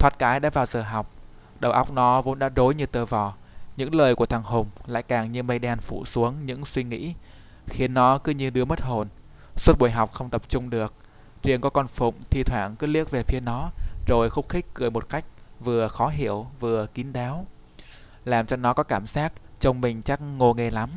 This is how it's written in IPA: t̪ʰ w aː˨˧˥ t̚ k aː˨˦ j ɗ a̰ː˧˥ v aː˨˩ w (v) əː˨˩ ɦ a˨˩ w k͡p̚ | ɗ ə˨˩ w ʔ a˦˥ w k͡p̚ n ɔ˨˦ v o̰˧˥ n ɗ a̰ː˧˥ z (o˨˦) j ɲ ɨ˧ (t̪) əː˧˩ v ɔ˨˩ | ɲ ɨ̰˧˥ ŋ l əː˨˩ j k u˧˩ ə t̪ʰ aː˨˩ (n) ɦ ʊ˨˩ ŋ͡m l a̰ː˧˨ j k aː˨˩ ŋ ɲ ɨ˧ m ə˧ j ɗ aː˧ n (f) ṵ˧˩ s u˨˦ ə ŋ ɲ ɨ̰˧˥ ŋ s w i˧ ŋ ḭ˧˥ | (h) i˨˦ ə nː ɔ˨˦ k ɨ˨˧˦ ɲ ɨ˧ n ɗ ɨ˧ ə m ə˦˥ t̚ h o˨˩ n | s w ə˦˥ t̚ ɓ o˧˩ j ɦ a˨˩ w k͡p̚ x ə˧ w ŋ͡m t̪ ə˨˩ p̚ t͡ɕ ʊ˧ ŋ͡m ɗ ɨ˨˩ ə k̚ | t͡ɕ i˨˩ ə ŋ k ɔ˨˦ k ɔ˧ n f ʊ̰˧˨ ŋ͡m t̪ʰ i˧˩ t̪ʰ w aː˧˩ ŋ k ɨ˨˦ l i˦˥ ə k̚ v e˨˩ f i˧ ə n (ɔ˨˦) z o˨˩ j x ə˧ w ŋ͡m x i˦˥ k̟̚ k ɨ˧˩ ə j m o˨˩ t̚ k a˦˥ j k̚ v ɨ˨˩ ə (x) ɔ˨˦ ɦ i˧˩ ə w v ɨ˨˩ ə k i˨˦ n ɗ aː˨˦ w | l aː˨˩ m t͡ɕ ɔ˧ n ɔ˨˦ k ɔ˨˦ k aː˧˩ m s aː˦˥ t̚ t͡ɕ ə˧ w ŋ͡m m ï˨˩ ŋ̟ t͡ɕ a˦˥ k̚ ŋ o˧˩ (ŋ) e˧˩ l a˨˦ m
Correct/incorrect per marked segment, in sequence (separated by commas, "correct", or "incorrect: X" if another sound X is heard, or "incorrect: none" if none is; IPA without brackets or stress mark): incorrect: z, correct, correct, incorrect: ŋ, correct, incorrect: x, correct, correct, correct